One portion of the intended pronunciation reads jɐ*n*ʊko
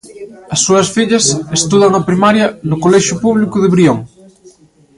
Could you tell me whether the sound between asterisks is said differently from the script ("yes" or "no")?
no